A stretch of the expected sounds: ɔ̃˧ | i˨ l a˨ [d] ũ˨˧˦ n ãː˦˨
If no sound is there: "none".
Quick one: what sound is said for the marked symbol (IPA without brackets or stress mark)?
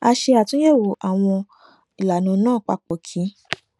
n